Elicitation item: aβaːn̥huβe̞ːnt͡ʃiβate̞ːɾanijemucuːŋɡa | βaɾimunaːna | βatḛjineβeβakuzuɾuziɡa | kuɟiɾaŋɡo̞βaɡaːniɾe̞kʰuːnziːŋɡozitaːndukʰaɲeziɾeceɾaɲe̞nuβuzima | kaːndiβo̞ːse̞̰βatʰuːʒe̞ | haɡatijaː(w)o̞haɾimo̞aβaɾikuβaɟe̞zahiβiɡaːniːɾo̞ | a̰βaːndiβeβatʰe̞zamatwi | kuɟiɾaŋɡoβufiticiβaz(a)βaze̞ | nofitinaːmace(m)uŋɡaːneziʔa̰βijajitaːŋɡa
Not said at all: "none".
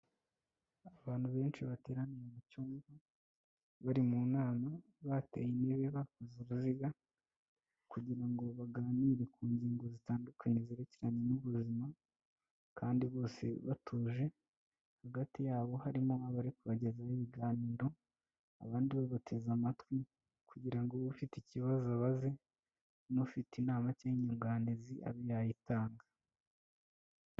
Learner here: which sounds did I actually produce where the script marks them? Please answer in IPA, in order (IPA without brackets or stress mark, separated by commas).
β, a, ɲ